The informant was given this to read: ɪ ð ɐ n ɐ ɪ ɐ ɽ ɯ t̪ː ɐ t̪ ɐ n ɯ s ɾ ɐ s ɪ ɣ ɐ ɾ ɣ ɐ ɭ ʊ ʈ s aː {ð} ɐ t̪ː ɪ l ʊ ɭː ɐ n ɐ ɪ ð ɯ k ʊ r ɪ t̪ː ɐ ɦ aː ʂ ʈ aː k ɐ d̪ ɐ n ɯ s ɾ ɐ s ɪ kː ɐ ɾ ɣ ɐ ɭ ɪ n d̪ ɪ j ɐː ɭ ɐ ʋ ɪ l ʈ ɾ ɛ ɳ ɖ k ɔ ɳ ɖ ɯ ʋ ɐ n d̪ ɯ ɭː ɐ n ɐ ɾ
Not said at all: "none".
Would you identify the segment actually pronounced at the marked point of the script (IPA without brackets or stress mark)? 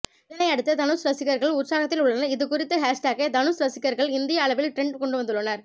ɣ